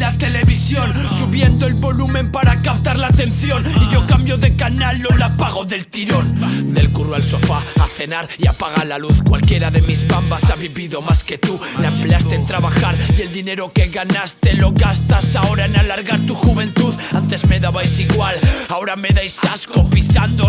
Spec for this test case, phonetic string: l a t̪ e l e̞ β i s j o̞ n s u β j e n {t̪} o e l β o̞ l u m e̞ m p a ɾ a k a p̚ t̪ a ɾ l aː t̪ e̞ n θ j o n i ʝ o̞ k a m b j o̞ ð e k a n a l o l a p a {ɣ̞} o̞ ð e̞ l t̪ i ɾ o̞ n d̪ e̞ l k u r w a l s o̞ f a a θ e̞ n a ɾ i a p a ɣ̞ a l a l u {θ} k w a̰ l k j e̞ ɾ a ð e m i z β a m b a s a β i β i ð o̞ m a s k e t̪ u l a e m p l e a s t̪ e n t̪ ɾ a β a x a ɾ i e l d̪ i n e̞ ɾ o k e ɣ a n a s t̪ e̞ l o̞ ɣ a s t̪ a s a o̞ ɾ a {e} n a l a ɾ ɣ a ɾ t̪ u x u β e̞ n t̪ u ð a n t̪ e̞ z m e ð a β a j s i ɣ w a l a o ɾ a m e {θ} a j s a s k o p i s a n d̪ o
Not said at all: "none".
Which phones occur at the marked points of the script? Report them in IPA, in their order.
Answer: d̪, ɣ̞, θ, e, ð

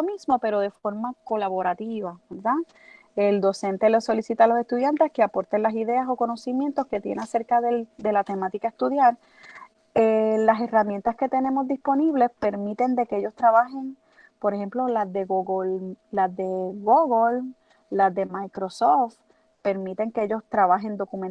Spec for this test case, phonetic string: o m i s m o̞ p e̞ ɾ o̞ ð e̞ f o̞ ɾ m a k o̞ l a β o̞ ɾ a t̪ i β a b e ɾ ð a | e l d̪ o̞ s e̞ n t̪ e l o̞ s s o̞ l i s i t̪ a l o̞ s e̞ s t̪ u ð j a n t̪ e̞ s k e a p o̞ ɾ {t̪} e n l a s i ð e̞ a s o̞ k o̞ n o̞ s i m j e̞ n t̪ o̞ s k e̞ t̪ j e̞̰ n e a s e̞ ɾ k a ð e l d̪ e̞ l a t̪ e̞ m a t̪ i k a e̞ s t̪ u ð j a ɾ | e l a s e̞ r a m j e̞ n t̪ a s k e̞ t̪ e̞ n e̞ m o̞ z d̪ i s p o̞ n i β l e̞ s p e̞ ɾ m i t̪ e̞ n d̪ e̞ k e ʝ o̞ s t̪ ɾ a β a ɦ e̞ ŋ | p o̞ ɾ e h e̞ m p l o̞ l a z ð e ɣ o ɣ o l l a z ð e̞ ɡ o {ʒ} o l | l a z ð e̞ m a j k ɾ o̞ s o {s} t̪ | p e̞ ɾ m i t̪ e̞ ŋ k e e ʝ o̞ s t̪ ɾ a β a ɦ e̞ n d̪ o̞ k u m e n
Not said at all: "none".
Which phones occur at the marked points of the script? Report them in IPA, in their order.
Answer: t̪, ɣ, f

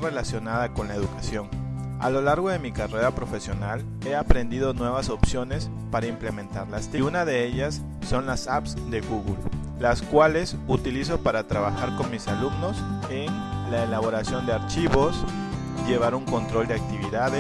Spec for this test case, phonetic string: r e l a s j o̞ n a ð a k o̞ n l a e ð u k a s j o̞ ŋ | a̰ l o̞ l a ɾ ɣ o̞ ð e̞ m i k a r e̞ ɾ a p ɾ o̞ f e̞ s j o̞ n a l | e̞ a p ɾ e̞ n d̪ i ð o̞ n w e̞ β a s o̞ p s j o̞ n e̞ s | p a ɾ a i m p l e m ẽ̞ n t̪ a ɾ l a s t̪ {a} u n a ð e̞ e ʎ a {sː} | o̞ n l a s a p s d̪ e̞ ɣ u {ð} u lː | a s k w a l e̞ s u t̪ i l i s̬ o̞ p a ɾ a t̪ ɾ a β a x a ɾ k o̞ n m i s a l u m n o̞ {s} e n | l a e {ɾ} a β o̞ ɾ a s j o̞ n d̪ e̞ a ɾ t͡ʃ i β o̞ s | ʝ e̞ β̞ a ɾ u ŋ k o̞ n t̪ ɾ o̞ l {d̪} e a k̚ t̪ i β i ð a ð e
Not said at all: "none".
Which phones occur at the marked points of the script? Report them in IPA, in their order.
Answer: i, sː, ɣ, s, l, d̪

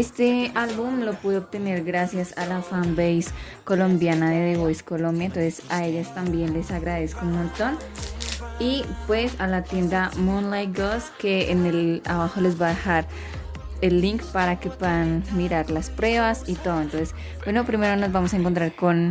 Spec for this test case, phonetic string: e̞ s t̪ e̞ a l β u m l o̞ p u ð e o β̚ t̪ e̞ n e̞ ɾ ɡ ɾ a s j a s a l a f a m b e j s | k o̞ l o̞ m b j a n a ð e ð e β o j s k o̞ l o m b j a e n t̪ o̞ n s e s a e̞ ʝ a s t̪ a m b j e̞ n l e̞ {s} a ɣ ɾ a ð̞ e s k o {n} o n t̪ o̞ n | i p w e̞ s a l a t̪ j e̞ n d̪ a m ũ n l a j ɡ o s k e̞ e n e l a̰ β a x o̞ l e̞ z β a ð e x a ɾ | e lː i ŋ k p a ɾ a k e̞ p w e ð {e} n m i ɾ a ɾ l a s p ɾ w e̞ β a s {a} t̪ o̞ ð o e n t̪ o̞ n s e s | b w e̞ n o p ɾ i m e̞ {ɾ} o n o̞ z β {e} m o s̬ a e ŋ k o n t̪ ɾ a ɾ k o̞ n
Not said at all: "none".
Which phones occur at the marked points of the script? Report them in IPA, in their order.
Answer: s, m, a, i, ɾ, a

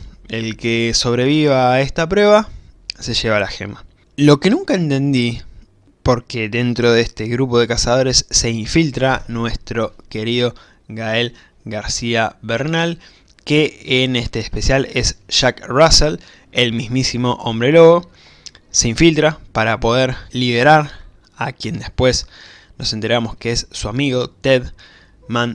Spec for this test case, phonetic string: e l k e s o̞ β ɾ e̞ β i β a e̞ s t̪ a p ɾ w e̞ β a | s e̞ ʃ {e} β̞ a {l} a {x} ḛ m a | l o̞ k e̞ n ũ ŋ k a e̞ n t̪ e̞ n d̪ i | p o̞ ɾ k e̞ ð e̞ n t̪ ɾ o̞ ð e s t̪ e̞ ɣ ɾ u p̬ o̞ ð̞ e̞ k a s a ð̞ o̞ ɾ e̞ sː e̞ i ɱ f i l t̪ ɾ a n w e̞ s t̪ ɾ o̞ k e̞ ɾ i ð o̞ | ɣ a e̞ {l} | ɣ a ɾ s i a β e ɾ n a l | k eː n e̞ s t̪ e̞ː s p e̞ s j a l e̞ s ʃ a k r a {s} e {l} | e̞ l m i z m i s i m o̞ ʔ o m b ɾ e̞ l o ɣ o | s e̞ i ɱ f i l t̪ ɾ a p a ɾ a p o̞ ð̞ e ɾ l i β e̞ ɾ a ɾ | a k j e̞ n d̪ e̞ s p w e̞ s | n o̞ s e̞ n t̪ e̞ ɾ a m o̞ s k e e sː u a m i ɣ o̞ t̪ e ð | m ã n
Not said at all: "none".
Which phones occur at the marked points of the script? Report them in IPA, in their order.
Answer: e, l, x, l, s, l

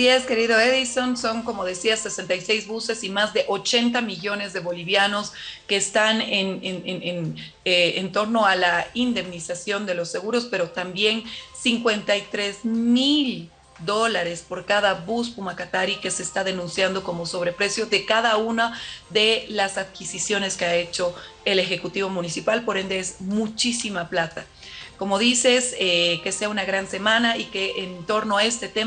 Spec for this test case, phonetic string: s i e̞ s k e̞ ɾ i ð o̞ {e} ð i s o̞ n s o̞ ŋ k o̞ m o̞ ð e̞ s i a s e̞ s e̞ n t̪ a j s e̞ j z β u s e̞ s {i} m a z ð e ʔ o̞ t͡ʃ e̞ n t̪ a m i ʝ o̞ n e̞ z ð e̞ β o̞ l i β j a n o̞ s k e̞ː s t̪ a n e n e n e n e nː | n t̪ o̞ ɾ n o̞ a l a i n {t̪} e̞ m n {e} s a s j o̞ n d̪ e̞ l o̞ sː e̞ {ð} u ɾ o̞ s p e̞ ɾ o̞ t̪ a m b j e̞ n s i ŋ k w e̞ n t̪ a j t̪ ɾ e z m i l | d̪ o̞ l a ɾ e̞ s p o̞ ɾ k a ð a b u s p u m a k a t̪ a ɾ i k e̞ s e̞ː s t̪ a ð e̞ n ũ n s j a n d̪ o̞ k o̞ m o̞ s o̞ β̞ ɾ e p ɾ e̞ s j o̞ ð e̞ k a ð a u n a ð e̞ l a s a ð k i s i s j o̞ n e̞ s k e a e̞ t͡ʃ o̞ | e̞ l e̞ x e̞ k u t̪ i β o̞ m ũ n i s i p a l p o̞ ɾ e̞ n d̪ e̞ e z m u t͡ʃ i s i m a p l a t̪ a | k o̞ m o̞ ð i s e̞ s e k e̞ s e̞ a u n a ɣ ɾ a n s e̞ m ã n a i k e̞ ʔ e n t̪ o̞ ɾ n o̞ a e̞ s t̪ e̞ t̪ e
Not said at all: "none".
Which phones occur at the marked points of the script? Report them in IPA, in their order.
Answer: e, i, d̪, i, ɣ

